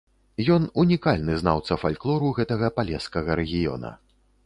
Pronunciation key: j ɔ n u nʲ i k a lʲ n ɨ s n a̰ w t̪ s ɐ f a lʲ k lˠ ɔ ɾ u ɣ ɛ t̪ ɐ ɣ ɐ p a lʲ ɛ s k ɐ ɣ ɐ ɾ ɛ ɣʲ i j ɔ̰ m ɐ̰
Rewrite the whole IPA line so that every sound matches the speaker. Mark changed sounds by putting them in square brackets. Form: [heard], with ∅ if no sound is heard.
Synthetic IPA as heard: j ɔ n u nʲ i k a lʲ n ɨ [z] n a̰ w t̪ s ɐ f a lʲ k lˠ ɔ ɾ u ɣ ɛ t̪ ɐ ɣ ɐ p a lʲ ɛ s k ɐ ɣ ɐ ɾ ɛ ɣʲ i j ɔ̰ [n] ɐ̰